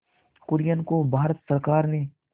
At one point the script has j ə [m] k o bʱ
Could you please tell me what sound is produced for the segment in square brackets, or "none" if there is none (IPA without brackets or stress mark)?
n